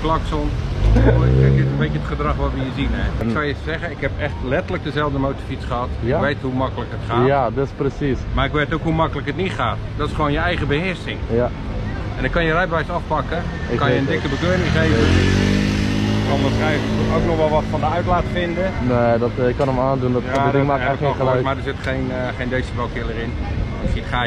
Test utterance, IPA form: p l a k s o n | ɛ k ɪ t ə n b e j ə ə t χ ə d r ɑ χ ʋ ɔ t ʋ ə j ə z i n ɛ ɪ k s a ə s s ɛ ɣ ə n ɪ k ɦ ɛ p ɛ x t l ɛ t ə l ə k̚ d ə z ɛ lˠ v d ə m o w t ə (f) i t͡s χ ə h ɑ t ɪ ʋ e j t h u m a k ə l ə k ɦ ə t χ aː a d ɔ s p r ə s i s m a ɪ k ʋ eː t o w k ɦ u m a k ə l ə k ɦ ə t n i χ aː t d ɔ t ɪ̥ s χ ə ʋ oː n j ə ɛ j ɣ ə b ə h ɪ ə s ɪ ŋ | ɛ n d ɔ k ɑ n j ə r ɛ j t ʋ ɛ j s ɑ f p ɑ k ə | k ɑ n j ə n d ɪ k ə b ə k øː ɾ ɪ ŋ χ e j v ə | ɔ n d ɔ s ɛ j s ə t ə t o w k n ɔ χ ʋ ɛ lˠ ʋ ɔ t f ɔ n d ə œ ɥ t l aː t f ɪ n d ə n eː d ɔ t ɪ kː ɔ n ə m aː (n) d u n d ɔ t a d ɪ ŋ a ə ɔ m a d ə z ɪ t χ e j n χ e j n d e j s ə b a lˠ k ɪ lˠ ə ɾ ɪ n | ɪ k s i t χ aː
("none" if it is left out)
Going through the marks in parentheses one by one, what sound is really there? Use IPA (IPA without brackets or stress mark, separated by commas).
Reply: f, n